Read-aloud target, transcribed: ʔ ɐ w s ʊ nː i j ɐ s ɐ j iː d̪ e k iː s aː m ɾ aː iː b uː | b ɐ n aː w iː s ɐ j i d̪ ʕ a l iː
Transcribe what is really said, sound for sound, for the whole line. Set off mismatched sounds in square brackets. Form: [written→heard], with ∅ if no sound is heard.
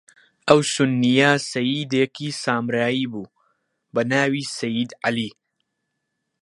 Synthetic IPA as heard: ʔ ɐ w s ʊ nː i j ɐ s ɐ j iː d̪ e k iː s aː m ɾ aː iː b uː | b ɐ n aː w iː s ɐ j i d̪ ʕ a l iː